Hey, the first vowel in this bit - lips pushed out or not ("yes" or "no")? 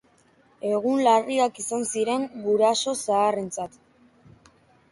no